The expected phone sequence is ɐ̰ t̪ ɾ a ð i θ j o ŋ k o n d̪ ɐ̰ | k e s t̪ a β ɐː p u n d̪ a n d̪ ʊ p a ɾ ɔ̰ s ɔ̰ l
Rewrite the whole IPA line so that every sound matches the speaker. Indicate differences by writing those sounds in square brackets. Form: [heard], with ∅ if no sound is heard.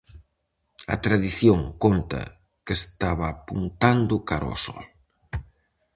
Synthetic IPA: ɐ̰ t̪ ɾ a ð i θ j o ŋ k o n [t̪] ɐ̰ | k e s t̪ a β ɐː p u n [t̪] a n d̪ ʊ [k] a ɾ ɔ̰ s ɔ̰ l